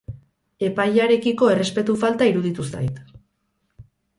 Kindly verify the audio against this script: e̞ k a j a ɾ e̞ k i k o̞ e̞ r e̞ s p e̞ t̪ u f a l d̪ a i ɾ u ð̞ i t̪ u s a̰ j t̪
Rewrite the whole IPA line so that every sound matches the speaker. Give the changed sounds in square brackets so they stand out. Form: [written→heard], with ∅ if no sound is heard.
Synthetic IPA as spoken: e̞ [k→p] a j a ɾ e̞ k i k o̞ e̞ r e̞ s p e̞ t̪ u f a l [d̪→t̪] a i ɾ u ð̞ i t̪ u s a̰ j t̪